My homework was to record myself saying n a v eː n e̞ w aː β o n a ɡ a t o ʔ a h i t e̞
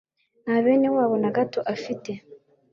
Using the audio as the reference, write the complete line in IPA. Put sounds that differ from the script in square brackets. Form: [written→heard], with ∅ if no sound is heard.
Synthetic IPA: n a [v→β] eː n e̞ w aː β o n a ɡ a t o ʔ a [h→f] i t e̞

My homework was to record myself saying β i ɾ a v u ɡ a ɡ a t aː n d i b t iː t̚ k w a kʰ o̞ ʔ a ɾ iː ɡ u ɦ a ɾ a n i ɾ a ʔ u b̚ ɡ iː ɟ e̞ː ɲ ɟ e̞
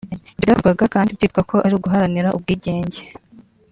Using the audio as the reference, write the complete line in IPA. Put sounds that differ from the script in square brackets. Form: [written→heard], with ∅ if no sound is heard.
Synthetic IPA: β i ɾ a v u ɡ a ɡ a [t→k] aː n d i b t iː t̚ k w a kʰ o̞ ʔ a ɾ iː ɡ u ɦ a ɾ a n i ɾ a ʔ u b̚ ɡ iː ɟ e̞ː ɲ ɟ e̞

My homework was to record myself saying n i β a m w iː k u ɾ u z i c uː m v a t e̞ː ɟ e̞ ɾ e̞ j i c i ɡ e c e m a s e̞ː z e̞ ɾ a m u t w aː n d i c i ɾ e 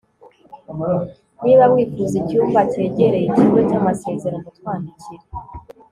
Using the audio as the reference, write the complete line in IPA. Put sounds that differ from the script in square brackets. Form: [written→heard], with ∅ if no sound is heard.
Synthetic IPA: n i β a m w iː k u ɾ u z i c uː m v a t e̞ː ɟ e̞ ɾ e̞ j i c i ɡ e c [e→a] m a s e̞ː z e̞ ɾ a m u t w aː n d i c i ɾ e

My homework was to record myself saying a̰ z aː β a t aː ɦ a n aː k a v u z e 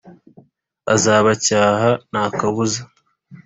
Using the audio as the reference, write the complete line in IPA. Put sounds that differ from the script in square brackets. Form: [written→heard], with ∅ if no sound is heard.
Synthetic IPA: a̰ z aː β a [t→c] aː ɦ a n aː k a [v→β] u z [e→a]

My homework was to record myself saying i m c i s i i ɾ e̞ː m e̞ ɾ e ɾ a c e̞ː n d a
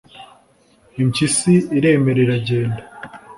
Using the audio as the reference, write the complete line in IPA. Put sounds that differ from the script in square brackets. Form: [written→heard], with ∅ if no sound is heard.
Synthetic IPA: i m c i s i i ɾ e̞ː m e̞ ɾ e ɾ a [c→ɟ] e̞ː n d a

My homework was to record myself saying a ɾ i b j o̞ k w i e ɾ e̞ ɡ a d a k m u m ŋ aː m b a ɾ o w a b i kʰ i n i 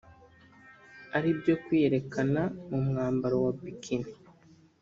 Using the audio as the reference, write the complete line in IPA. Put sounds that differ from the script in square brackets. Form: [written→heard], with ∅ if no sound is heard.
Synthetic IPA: a ɾ i b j o̞ k w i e ɾ e̞ [ɡ→k] a [d→n] a [k→∅] m u m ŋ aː m b a ɾ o w a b i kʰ i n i

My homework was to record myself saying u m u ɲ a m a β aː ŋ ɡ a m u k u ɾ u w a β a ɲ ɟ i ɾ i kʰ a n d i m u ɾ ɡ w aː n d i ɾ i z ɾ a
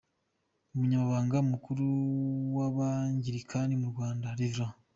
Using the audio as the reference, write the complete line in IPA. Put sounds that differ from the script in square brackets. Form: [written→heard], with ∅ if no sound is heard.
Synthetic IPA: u m u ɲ a m a β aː ŋ ɡ a m u k u ɾ u w a β a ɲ ɟ i ɾ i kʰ a n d i m u ɾ ɡ w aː n d [i→a] ɾ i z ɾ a

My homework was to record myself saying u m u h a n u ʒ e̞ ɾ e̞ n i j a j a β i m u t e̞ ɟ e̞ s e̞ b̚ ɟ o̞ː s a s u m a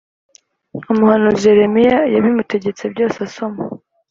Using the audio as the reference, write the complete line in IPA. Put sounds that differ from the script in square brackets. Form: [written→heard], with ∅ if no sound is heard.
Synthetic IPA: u m u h a n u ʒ e̞ ɾ e̞ [n→m] i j a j a β i m u t e̞ ɟ e̞ [s→t͡s] e̞ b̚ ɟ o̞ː s a s [u→o] m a

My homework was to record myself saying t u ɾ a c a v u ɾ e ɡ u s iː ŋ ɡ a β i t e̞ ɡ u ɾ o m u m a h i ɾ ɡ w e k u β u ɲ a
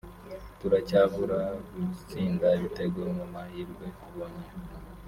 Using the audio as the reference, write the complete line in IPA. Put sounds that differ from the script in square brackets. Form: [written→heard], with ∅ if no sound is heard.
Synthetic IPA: t u ɾ a c a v u ɾ [e→a] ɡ u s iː ŋ ɡ a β i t e̞ ɡ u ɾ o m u m a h i ɾ ɡ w e k u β [u→o] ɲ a

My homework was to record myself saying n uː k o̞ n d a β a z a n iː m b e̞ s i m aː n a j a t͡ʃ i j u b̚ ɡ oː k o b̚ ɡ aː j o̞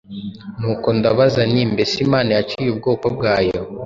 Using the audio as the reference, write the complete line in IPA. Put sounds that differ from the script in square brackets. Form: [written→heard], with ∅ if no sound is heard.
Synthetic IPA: n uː k o̞ n d a β a z a n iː m b e̞ s i m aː n a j a t͡ʃ i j u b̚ ɡ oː k o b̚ ɡ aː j o̞

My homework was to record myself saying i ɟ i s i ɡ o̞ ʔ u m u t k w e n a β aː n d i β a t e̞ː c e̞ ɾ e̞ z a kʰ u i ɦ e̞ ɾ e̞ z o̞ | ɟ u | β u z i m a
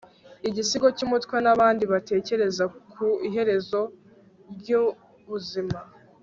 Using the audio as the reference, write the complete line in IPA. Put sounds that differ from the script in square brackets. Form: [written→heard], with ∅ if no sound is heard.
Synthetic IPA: i ɟ i s i ɡ o̞ [ʔ→c] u m u t k w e n a β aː n d i β a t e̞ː c e̞ ɾ e̞ z a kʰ u i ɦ e̞ ɾ e̞ z o̞ | ɟ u | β u z i m a

